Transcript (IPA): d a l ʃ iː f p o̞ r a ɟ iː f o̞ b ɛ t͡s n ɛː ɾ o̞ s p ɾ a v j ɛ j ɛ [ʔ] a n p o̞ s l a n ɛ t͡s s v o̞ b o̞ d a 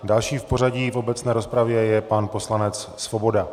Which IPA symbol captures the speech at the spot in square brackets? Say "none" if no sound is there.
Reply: p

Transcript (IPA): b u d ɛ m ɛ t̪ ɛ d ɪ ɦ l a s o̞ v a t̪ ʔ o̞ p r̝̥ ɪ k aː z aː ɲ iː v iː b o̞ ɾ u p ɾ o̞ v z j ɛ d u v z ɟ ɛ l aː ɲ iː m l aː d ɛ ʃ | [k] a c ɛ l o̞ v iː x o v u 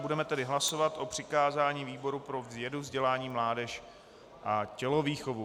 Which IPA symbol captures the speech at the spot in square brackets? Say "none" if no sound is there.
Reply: ʔ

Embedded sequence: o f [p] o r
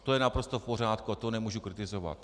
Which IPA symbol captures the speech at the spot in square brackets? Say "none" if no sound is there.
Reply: p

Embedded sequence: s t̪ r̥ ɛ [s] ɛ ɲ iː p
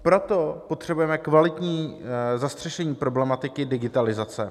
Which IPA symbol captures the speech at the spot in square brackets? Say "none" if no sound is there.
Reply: ʃ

